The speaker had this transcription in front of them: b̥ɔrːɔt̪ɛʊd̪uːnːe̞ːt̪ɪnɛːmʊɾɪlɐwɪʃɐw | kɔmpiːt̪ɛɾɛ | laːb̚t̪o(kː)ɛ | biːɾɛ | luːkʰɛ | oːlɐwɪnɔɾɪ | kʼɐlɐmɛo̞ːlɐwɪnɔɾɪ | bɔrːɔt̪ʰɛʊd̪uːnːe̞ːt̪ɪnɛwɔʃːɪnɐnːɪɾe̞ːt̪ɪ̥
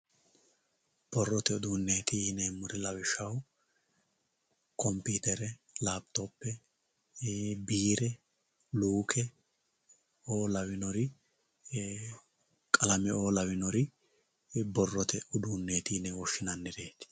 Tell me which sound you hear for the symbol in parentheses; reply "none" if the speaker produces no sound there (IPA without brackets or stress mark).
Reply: pː